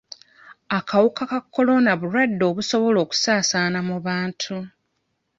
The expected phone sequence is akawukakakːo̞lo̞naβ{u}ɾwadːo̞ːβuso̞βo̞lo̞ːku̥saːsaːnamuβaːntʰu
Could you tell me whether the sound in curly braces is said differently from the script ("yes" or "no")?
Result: no